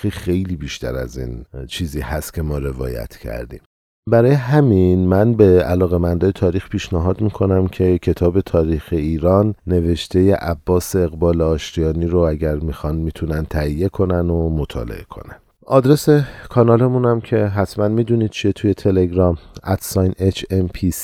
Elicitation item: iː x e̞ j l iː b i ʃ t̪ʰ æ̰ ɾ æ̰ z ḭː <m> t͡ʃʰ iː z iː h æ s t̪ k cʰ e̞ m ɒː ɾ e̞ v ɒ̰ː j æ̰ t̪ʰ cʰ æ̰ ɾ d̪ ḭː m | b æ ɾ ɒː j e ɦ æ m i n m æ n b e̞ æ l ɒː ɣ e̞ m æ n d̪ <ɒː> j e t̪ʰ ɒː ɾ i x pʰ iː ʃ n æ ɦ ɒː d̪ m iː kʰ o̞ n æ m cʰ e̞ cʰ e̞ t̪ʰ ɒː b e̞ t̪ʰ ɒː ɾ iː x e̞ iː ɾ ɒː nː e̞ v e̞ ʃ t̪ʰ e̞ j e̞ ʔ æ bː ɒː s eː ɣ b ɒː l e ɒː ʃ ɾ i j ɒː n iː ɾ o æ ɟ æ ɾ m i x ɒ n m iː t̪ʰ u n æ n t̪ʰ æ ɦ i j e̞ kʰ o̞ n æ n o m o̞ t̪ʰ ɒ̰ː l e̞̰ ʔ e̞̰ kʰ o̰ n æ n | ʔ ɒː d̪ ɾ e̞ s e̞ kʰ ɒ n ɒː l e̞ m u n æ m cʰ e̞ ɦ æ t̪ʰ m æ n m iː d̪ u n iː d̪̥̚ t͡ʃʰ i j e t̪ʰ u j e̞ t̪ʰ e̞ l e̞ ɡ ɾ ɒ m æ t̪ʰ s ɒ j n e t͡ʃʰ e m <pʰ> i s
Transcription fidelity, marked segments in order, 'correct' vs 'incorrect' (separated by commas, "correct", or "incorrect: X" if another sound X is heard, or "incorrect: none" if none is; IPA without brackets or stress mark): incorrect: n, correct, correct